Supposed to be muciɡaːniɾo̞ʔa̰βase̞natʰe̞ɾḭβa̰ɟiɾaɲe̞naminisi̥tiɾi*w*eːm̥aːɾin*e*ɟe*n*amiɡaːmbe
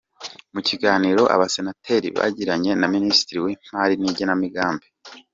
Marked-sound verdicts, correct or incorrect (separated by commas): correct, incorrect, correct